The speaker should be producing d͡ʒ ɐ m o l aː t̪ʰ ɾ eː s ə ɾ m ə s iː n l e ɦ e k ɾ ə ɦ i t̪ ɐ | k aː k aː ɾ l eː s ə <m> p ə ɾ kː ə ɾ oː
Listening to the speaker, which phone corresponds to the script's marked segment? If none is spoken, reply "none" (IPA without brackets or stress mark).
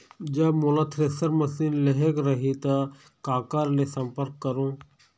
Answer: m